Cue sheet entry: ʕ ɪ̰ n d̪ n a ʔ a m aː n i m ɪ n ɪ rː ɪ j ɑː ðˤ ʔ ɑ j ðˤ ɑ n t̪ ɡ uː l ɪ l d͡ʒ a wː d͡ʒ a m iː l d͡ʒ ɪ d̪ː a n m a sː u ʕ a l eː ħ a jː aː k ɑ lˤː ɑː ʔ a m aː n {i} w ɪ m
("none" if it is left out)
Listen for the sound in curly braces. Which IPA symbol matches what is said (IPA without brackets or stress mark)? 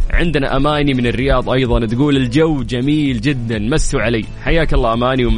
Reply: i